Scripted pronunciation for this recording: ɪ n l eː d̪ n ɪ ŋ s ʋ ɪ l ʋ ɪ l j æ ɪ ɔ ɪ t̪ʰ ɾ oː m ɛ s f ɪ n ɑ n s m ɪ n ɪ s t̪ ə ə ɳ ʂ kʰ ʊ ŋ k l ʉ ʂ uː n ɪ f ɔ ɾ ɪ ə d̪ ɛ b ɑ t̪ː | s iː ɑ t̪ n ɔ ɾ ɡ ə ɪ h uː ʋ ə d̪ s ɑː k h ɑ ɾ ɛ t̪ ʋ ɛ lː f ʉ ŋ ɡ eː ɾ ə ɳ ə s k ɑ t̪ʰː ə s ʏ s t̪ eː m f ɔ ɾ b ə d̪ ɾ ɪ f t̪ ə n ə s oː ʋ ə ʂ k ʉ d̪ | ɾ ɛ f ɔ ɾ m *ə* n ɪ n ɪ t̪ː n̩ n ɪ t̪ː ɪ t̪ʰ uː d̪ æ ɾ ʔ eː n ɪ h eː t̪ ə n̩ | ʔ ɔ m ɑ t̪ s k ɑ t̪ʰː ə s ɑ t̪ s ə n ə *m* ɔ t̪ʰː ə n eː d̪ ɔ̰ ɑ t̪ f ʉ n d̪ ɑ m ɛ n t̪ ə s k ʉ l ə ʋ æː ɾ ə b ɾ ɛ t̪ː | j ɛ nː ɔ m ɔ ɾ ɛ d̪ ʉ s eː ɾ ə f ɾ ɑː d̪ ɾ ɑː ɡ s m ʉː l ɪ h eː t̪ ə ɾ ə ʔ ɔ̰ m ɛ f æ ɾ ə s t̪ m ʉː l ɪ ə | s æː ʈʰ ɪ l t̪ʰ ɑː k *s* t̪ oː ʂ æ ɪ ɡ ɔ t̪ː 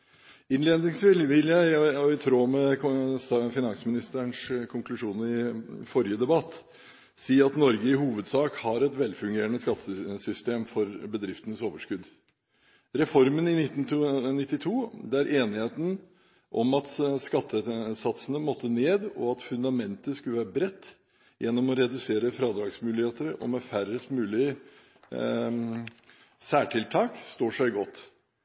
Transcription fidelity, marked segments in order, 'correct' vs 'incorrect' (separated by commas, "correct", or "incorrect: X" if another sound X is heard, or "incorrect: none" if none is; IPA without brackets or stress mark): correct, correct, correct